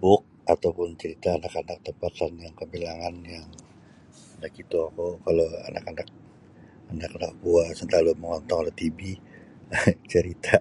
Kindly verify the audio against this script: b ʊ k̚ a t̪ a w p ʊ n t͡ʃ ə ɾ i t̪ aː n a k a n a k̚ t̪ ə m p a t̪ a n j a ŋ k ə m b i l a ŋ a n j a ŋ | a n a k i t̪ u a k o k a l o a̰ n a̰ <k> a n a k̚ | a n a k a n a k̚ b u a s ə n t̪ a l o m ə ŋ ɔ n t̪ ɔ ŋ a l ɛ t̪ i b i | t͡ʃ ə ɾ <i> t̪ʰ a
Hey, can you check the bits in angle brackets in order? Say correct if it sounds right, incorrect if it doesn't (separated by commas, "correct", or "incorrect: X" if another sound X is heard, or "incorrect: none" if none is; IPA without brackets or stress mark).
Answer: correct, correct